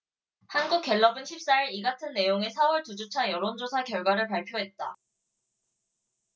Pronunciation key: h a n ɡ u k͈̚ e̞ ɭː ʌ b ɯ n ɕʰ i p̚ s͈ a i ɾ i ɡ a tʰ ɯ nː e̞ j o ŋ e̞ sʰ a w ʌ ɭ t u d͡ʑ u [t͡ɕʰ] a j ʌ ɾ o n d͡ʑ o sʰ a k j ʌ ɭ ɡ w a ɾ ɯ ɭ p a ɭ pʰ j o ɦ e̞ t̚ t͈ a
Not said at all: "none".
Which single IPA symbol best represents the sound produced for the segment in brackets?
t͡ɕʰ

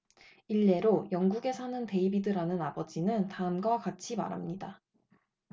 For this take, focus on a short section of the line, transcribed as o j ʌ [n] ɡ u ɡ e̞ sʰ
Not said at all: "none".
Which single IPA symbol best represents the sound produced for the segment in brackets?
ŋ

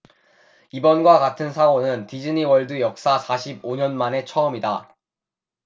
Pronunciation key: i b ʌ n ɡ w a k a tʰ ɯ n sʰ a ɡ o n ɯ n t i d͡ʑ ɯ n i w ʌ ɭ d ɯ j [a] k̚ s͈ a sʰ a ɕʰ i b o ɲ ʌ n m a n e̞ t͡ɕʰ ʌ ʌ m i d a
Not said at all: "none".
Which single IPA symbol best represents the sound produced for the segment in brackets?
ʌ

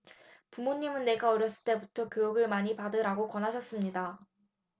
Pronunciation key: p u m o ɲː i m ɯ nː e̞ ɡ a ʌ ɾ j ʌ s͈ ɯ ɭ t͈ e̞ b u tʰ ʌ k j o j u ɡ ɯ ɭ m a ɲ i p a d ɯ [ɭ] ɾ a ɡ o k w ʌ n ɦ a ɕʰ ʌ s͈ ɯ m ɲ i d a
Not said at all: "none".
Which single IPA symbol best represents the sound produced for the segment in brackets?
none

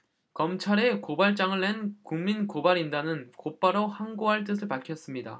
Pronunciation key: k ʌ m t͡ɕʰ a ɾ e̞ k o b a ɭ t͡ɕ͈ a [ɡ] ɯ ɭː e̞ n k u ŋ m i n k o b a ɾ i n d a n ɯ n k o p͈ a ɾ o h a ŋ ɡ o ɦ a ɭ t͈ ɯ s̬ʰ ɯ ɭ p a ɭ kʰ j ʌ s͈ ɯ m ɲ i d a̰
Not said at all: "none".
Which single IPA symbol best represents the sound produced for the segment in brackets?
ŋ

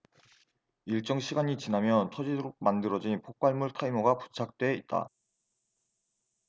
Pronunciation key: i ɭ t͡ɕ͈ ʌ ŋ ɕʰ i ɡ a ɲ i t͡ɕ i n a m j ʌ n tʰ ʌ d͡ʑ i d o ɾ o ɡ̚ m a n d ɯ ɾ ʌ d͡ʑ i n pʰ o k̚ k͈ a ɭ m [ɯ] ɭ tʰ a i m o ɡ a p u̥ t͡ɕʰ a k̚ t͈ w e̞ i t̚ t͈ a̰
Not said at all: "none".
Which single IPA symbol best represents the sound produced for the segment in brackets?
u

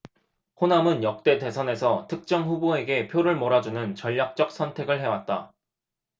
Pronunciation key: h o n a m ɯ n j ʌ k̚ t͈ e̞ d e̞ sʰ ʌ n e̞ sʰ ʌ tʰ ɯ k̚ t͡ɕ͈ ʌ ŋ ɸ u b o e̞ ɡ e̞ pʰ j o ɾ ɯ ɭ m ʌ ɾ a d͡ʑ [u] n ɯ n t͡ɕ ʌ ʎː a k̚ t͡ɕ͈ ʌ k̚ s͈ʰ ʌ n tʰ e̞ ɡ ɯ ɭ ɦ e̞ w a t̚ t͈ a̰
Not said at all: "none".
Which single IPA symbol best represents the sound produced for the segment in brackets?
u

